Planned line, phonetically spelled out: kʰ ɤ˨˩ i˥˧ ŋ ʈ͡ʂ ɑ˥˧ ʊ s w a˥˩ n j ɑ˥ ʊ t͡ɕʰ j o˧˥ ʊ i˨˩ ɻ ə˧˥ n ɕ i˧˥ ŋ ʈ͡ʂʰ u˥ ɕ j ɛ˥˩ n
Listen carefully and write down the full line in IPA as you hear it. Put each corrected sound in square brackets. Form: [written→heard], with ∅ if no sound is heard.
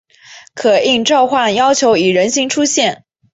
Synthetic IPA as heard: kʰ ɤ˨˩ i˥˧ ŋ ʈ͡ʂ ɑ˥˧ ʊ [s→x] w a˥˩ n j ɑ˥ ʊ t͡ɕʰ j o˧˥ ʊ i˨˩ ɻ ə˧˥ n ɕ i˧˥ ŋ ʈ͡ʂʰ u˥ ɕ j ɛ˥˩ n